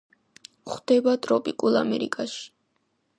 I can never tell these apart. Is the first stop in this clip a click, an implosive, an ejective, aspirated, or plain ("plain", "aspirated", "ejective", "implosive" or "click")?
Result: plain